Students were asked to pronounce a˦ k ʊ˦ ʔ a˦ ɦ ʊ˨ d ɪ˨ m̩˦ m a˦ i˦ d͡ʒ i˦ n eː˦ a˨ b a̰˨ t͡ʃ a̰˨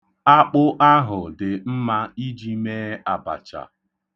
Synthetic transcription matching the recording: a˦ k͡p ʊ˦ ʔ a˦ ɦ ʊ˨ d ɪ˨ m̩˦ m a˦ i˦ d͡ʒ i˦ m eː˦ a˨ b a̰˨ t͡ʃ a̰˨